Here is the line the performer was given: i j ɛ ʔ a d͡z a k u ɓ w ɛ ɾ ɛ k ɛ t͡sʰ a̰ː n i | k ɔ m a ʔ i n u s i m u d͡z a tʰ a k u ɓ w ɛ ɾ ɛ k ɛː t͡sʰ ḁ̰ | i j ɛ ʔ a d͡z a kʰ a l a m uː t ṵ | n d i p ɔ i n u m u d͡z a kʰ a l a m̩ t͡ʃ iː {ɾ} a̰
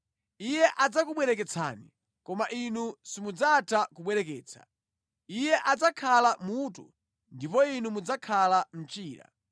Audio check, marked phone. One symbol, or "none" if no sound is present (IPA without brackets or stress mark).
ɾ